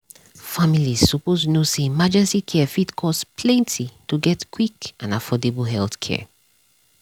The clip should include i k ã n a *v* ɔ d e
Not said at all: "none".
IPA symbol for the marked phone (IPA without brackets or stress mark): f